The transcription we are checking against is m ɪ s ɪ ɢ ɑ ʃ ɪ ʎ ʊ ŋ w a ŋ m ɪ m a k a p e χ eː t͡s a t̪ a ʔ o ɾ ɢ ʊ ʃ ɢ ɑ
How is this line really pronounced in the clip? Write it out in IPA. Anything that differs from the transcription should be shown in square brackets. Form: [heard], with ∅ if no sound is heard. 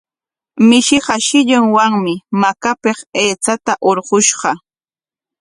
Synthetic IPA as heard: m ɪ [ʃ] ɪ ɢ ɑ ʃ ɪ ʎ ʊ ŋ w a ŋ m ɪ m a k a p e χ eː t͡s a t̪ a ʔ o ɾ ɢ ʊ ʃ ɢ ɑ